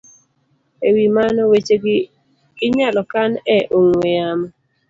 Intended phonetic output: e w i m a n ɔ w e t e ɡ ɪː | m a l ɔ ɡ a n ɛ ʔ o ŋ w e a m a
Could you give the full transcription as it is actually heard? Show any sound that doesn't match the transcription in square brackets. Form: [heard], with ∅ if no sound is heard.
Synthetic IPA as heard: e w i m a n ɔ w e [t͡ʃ] e ɡ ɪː | [ɲ] a l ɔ [k] a n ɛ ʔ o ŋ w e a m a